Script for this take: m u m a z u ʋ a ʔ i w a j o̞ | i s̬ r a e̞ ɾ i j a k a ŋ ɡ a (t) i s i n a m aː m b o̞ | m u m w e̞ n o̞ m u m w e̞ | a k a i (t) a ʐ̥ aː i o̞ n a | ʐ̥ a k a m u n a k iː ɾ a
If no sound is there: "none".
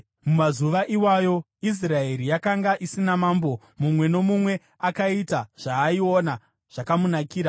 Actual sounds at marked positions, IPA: ʔ, t

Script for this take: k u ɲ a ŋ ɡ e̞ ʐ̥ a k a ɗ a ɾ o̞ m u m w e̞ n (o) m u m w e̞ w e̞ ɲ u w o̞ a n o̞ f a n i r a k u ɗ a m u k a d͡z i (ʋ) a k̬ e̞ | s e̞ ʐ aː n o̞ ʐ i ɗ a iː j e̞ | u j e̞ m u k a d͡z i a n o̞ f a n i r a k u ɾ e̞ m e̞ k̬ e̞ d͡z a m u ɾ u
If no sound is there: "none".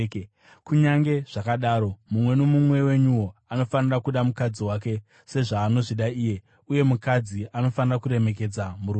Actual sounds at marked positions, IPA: o, w

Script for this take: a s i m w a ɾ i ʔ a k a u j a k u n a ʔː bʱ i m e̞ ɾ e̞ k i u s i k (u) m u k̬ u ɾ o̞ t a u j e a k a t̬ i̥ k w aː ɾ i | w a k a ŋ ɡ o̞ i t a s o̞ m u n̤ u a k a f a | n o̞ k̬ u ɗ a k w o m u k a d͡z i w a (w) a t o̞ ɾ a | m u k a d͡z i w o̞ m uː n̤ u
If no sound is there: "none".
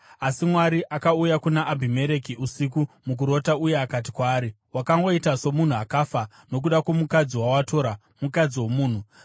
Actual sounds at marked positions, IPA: u, w

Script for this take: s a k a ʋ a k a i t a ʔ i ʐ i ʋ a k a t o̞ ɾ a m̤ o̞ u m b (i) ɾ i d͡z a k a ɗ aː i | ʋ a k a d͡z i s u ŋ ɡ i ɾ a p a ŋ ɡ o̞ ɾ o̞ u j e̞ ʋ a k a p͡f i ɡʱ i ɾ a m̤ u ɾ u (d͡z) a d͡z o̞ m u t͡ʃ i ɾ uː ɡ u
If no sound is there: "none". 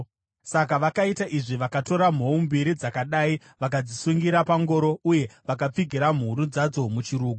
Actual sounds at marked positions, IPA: i, d͡z

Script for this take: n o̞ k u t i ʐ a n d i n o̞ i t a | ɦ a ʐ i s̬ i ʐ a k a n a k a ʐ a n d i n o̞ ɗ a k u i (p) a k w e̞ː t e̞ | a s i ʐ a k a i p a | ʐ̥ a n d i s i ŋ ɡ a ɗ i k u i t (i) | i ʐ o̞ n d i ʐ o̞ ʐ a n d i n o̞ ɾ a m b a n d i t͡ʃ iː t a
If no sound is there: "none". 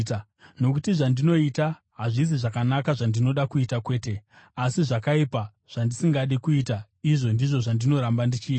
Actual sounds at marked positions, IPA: t, a

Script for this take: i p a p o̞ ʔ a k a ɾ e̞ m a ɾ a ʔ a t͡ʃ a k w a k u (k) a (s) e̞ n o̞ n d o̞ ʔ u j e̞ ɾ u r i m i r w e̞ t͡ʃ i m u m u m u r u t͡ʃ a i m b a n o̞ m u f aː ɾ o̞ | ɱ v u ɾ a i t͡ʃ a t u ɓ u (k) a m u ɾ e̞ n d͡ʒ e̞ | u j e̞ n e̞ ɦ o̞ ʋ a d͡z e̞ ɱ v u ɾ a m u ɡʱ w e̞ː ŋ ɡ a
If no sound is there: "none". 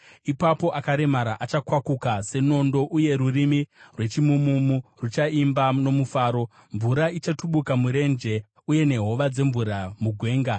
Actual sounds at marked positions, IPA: k, s, k

